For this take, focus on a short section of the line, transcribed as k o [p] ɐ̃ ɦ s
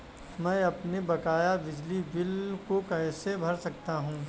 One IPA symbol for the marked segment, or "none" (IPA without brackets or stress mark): k